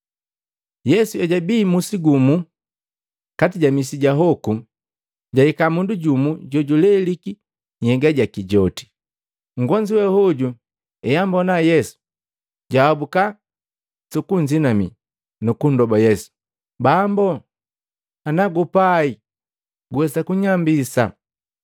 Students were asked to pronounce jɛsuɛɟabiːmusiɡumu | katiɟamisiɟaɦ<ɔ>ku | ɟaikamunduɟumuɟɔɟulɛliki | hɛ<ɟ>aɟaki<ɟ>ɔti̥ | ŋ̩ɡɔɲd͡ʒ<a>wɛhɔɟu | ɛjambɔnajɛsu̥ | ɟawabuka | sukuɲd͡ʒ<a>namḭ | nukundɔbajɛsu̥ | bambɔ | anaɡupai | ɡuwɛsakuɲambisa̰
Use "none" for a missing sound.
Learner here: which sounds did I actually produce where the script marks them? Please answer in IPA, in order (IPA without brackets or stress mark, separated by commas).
ɔ, ɡ, ɟ, i, i